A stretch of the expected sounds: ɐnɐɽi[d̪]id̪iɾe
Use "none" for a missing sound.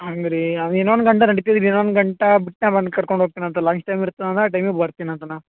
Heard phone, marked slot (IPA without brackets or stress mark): t̪